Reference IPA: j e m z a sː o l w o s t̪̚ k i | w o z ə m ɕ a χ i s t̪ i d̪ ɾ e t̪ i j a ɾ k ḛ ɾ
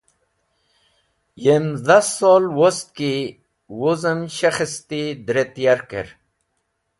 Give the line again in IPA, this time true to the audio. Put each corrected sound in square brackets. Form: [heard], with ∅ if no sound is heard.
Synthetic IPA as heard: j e m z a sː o l w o s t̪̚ k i | w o z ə m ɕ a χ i s t̪ i d̪ ɾ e t̪ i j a ɾ k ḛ ɾ